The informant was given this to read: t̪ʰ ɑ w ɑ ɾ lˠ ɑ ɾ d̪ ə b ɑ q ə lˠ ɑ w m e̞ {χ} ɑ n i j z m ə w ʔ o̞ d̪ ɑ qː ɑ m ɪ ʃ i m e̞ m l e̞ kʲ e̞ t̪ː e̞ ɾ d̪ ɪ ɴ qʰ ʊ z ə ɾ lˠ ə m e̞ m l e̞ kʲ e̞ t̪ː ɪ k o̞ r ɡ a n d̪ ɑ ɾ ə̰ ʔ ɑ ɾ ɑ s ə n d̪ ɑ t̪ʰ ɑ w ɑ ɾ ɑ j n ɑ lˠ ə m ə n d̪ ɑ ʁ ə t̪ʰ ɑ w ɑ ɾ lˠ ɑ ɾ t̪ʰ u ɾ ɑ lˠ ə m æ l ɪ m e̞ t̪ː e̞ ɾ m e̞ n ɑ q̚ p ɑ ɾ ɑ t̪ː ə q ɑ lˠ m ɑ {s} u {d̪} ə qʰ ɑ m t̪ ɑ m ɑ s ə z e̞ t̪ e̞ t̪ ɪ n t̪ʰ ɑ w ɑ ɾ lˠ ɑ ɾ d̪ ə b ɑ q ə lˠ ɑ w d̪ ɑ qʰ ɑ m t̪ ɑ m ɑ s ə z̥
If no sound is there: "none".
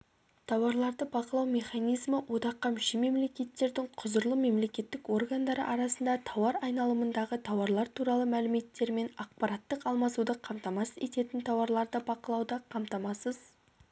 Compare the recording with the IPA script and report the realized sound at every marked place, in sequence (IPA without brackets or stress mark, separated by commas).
χ, s, d̪